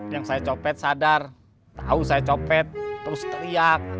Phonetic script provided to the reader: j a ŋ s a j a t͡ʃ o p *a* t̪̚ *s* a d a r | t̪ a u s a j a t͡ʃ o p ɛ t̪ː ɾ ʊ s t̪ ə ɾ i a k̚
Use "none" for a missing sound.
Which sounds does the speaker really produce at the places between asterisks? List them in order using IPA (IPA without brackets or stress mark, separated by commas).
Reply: ɛ, s